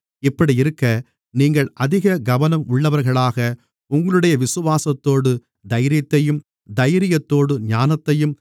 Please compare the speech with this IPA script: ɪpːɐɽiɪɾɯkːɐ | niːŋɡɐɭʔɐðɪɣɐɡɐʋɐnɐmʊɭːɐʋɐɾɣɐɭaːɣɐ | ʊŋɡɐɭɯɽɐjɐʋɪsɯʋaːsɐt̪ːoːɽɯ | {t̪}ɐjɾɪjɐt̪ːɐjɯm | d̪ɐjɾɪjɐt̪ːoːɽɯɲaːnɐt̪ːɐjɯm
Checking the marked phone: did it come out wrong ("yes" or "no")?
yes